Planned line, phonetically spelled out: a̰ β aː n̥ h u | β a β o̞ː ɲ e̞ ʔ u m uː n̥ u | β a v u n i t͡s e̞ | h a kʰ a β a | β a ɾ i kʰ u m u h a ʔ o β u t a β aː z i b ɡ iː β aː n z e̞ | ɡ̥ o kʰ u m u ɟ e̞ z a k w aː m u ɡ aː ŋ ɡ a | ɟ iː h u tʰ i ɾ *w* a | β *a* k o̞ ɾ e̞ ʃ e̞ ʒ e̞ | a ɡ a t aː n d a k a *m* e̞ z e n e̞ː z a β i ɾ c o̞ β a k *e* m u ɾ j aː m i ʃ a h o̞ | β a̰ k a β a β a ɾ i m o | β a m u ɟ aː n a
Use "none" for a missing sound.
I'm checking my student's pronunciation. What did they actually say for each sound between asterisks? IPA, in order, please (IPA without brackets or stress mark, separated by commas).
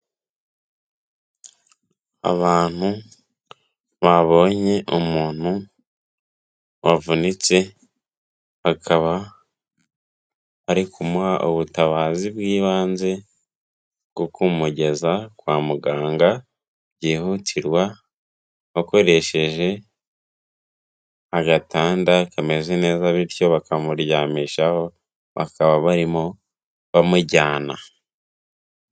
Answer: w, a, m, a